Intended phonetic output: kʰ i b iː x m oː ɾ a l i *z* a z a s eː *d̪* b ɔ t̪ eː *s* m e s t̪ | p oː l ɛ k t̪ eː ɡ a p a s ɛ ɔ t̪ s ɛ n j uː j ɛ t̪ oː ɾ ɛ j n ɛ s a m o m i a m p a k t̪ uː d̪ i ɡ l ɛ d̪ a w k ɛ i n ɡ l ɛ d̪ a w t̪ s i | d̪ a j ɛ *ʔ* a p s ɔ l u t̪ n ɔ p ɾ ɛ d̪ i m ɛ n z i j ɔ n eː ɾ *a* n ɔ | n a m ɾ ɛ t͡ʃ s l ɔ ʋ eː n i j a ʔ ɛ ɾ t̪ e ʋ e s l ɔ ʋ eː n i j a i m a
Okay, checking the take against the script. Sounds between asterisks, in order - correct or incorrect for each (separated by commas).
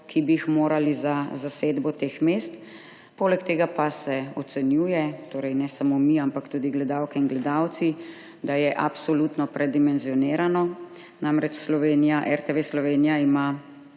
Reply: correct, correct, incorrect, correct, correct